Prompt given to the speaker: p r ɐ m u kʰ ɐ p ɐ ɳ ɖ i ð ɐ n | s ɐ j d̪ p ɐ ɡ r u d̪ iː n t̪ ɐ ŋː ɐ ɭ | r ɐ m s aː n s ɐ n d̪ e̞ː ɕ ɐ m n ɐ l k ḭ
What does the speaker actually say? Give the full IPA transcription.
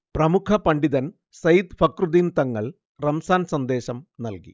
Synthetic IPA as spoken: p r ɐ m u kʰ ɐ p ɐ ɳ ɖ i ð ɐ n | s ɐ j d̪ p ɐ k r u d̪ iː n t̪ ɐ ŋː ɐ ɭ | r ɐ m s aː n s ɐ n d̪ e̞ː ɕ ɐ m n ɐ l k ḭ